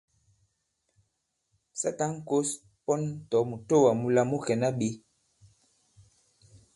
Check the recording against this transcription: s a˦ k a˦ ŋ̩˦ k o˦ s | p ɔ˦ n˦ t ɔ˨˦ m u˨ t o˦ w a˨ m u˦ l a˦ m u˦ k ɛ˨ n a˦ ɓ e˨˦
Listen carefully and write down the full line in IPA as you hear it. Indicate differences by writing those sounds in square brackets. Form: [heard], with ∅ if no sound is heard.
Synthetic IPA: s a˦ [t] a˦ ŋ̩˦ k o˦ s | p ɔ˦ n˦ t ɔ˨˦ m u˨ t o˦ w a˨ m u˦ l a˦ m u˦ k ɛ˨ n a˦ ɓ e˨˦